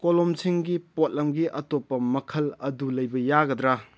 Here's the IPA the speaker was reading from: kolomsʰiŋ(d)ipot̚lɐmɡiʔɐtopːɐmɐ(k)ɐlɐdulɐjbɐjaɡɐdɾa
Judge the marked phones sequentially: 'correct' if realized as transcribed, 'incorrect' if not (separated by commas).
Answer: incorrect, incorrect